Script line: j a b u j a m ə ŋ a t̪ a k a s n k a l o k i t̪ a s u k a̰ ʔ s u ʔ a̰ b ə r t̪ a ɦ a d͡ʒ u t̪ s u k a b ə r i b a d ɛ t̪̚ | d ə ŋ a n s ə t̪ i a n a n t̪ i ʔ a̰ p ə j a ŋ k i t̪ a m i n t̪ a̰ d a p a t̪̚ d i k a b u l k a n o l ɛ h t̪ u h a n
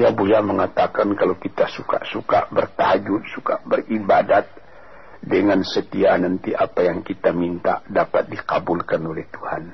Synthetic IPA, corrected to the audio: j a b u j a m ə ŋ a t̪ a k a n k a l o k i t̪ a s u k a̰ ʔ s u k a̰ b ə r t̪ a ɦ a d͡ʒ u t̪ s u k a b ə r i b a d a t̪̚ | d ə ŋ a n s ə t̪ i a n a n t̪ i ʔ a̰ p a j a ŋ k i t̪ a m i n t̪ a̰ d a p a t̪̚ d i k a b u l k a n o l ɛ h t̪ u h a n